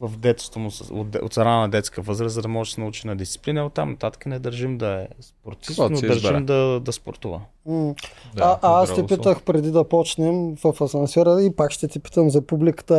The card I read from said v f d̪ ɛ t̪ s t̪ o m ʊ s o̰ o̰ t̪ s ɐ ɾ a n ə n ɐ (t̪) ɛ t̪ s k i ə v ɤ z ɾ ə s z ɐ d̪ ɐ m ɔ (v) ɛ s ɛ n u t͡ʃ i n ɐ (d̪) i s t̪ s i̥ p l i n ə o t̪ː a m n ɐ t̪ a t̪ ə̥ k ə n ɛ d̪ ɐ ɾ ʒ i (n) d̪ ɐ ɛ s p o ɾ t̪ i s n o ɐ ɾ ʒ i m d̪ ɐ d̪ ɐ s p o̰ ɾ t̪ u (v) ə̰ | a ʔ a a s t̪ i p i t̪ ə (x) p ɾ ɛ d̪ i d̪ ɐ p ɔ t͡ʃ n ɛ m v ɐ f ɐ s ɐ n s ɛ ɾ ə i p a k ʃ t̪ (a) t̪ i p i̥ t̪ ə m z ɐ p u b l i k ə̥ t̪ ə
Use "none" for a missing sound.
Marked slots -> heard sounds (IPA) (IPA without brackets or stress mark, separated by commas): d̪, ʒ, d̪, m, v, x, ɛ